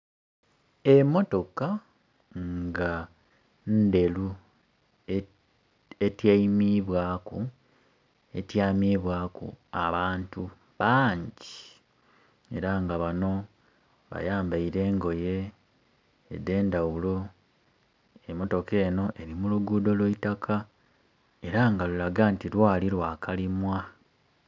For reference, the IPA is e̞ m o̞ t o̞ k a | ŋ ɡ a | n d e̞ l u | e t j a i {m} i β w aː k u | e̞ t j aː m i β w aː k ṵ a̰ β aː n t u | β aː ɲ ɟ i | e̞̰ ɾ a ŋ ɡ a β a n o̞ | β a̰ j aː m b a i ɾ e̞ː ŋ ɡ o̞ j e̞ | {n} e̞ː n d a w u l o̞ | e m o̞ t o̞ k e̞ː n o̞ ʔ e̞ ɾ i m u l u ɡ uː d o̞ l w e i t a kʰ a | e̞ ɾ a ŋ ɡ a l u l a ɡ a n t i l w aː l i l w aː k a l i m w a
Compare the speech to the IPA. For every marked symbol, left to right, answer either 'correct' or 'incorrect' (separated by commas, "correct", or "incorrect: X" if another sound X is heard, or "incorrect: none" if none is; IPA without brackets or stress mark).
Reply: correct, incorrect: d